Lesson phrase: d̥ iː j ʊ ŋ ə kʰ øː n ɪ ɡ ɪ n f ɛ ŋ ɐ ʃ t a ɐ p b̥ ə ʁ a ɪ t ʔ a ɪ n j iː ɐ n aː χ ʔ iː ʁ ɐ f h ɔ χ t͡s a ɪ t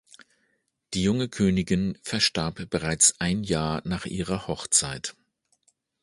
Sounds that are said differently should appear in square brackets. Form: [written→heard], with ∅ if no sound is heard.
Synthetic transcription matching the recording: d̥ iː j ʊ ŋ ə kʰ øː n ɪ ɡ ɪ n f ɛ [ŋ→∅] ɐ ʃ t a ɐ p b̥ ə ʁ a ɪ [t→t͡s] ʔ a ɪ n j [iː→aː] ɐ n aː χ ʔ iː ʁ ɐ [f→∅] h ɔ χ t͡s a ɪ t